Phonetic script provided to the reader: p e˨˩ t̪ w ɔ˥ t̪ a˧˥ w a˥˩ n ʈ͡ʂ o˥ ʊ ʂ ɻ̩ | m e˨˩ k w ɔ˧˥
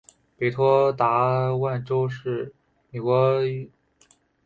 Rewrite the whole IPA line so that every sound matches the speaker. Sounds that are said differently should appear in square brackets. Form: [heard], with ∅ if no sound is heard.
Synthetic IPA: p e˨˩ [t̪ʰ] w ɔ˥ t̪ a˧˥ w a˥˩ n ʈ͡ʂ o˥ ʊ ʂ ɻ̩ | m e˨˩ k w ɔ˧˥